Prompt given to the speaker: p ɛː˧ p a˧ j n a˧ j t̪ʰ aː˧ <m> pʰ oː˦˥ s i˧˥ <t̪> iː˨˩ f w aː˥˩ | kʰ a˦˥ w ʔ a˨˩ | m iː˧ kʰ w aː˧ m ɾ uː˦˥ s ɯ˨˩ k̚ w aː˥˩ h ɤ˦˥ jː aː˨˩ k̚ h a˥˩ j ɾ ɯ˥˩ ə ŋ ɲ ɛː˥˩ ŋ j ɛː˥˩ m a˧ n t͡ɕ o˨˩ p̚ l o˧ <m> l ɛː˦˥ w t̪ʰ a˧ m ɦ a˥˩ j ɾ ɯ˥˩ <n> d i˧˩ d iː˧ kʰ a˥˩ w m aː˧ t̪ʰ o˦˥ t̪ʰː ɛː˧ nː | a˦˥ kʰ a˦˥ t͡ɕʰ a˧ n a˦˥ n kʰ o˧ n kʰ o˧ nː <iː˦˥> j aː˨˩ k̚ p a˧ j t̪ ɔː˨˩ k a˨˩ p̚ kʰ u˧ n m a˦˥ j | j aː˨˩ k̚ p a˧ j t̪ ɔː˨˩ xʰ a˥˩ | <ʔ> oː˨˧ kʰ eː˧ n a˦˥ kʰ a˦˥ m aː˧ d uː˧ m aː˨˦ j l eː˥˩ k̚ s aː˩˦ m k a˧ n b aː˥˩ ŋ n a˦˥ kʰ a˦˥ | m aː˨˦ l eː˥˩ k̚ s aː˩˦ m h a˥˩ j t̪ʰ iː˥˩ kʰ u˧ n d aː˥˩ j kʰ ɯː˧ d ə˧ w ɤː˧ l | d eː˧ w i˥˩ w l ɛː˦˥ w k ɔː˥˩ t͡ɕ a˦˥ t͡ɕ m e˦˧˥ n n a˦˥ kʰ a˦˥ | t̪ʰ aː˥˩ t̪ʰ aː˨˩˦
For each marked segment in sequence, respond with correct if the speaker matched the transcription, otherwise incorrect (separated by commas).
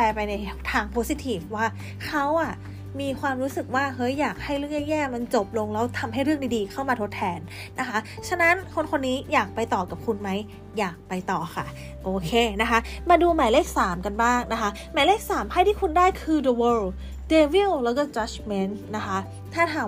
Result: incorrect, incorrect, incorrect, incorrect, correct, correct